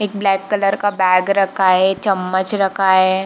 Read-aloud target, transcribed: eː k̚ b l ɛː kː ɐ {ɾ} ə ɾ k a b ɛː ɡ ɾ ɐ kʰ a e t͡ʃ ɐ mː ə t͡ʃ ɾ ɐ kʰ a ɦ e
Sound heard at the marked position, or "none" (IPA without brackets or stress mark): l